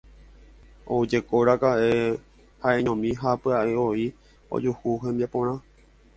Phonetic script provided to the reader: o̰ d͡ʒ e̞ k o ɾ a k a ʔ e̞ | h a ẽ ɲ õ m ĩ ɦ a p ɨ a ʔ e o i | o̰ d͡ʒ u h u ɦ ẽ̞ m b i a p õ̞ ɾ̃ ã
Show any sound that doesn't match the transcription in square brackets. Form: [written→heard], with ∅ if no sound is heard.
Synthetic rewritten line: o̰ d͡ʒ e̞ k o ɾ a k a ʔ e̞ | h a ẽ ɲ õ m ĩ ɦ a p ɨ a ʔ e o i | o̰ d͡ʒ u h u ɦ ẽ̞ m b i a p õ̞ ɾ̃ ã